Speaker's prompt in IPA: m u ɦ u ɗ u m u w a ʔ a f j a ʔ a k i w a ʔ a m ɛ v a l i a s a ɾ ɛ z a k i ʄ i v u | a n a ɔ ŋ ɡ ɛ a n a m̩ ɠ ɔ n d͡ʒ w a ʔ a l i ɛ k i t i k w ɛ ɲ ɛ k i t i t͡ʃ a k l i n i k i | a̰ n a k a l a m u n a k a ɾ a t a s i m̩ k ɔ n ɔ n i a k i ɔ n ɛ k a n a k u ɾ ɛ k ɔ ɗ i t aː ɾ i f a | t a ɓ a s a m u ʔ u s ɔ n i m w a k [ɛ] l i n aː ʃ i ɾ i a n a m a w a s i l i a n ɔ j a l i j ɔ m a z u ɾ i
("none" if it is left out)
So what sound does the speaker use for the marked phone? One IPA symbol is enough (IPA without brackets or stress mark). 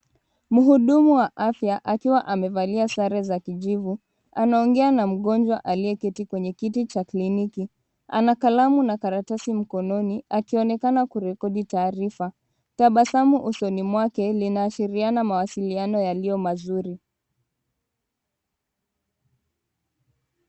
ɛ